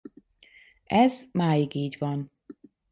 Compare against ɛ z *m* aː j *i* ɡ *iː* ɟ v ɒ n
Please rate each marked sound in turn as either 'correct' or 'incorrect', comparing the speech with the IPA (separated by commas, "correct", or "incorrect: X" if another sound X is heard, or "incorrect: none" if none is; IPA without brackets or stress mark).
correct, correct, correct